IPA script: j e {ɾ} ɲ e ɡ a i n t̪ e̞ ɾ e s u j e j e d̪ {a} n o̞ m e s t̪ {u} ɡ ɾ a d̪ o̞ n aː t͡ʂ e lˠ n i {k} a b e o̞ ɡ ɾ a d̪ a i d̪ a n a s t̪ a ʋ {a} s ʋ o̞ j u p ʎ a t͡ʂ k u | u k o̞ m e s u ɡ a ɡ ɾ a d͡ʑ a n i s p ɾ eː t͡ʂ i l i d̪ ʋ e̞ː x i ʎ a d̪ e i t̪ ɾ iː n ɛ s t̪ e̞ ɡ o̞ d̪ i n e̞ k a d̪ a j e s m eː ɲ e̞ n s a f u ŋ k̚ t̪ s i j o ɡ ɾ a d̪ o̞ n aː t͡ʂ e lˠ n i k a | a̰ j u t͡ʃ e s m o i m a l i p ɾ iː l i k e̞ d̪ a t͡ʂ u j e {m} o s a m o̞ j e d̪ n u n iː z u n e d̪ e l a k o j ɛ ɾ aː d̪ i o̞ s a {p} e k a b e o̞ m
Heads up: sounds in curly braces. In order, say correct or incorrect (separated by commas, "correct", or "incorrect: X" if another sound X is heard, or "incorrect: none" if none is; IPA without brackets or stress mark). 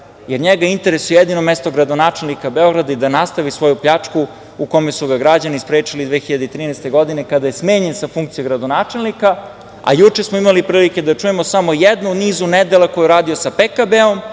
correct, incorrect: i, incorrect: o, correct, incorrect: i, correct, correct